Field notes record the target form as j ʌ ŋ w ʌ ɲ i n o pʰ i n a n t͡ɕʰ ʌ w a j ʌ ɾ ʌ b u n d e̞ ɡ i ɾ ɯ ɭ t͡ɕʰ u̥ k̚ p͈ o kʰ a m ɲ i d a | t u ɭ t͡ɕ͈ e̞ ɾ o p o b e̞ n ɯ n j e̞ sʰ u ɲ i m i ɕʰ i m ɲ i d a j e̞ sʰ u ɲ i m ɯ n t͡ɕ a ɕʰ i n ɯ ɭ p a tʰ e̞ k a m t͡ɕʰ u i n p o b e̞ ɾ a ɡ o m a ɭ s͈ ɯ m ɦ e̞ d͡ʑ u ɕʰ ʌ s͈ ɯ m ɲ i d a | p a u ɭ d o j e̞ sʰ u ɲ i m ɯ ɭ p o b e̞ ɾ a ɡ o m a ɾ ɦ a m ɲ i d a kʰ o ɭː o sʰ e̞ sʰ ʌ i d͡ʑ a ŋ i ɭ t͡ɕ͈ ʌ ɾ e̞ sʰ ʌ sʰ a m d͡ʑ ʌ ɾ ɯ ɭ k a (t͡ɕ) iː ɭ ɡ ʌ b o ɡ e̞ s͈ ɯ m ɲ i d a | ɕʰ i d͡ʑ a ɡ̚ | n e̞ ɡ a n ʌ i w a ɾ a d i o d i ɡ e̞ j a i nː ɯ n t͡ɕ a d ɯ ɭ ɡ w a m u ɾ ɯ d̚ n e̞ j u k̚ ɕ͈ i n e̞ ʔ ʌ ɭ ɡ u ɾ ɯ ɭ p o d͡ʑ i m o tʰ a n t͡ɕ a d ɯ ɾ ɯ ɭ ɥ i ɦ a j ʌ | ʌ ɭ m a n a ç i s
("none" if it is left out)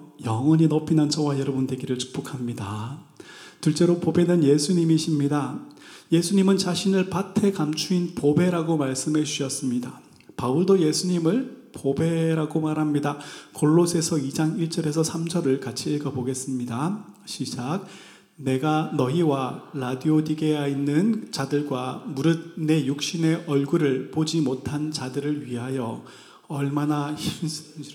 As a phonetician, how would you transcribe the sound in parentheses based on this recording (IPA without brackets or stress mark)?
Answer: t͡ɕʰ